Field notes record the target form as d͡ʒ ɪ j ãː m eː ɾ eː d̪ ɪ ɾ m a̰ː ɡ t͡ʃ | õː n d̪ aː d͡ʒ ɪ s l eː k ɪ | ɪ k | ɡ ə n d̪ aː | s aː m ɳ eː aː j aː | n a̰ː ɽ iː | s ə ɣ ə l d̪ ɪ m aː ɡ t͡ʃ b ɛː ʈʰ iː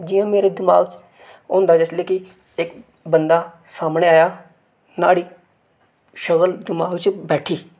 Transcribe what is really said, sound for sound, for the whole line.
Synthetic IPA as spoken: d͡ʒ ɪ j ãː m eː ɾ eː d̪ ɪ m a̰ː ɡ t͡ʃ | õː n d̪ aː d͡ʒ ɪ s l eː k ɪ | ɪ k | b ə n d̪ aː | s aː m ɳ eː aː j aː | n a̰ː ɽ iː | ʃ ə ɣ ə l d̪ ɪ m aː ɡ t͡ʃ b ɛː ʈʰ iː